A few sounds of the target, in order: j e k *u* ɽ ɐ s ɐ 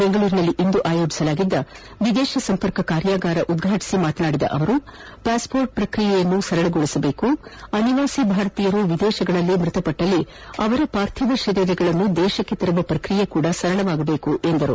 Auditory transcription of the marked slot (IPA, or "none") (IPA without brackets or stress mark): uː